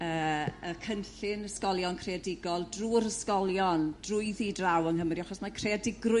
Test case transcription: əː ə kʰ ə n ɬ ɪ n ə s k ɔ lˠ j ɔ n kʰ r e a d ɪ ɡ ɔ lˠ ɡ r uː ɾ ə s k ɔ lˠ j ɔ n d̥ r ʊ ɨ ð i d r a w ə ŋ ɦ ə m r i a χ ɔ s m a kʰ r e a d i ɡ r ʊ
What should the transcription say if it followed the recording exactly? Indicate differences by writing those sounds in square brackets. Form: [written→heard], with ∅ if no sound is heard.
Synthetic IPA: əː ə kʰ ə n ɬ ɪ n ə s k ɔ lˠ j ɔ n kʰ r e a d ɪ ɡ ɔ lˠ [ɡ→d] r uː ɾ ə s k ɔ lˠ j ɔ n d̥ r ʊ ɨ ð i d r a w ə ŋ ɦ ə m r i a χ ɔ s m a kʰ r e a d [i→ɪ] ɡ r ʊ